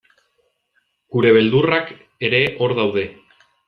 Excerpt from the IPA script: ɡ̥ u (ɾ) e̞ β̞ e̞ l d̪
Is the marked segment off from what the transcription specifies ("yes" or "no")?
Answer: no